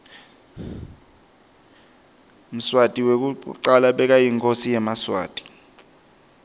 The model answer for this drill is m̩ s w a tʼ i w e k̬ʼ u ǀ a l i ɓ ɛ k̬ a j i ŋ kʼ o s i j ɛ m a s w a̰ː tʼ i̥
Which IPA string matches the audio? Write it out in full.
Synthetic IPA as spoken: m̩ s w a tʼ i w e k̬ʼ u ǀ a l a ɓ ɛ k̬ a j i ŋ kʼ o s i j ɛ m a s w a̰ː tʼ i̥